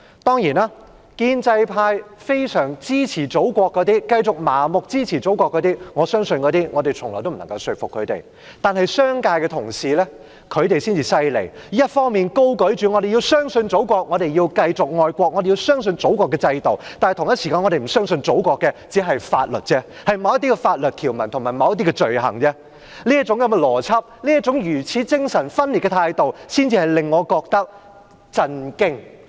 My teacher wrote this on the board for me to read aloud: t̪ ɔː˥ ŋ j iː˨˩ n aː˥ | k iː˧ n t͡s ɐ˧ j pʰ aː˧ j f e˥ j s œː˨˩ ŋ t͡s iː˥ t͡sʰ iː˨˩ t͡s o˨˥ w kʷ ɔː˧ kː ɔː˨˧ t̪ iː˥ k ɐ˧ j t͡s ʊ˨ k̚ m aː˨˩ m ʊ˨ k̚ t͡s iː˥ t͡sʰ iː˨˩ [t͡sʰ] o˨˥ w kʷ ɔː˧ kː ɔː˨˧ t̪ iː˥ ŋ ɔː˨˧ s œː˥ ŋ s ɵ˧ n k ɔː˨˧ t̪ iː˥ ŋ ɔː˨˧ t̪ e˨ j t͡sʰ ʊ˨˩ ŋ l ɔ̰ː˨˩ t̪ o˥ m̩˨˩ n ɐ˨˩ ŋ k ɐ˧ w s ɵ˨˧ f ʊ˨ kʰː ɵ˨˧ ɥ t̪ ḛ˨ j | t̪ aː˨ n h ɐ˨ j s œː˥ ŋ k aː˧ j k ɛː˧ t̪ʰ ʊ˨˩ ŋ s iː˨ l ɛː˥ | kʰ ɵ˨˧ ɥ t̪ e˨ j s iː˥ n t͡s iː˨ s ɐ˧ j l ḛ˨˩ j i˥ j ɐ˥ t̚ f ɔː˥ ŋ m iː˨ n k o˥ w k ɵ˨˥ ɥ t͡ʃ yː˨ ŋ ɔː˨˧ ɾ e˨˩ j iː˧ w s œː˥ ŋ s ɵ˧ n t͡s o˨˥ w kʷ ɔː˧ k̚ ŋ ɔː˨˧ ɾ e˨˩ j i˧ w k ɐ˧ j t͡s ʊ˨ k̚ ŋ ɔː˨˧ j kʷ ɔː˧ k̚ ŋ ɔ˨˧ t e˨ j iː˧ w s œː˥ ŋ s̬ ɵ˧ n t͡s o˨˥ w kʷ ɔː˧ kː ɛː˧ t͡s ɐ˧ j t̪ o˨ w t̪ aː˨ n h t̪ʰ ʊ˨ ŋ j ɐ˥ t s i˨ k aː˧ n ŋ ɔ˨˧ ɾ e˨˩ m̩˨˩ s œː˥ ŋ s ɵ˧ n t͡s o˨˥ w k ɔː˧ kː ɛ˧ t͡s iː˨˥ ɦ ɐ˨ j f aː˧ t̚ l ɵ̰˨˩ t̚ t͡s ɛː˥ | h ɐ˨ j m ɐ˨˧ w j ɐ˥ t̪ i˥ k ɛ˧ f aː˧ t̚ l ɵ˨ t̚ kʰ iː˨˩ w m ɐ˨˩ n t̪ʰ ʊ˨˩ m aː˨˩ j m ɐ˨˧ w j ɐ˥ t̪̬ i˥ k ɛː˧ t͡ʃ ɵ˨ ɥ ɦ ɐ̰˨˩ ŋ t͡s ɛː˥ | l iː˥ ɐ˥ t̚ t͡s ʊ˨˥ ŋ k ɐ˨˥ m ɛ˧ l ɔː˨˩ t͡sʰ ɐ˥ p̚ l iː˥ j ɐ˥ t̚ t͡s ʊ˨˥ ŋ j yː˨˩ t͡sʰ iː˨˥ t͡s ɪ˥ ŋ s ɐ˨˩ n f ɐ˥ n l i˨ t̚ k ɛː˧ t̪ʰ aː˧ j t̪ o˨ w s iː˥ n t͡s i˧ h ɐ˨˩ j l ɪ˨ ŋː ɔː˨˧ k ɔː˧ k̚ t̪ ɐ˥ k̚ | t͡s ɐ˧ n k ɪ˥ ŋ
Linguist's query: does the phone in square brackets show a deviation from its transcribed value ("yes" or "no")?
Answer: yes